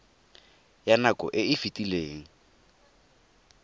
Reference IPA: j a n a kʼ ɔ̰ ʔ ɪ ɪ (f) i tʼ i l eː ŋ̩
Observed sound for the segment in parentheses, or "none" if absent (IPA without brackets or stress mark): f